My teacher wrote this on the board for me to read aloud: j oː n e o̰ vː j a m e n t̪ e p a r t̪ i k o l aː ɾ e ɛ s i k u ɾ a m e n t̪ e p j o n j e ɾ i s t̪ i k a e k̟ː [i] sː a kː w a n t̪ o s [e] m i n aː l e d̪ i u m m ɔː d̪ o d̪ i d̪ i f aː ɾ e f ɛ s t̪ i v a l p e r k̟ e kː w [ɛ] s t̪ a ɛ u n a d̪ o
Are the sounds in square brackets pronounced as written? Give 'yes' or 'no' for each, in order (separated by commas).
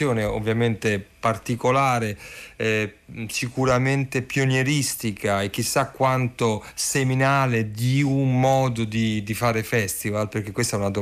yes, yes, no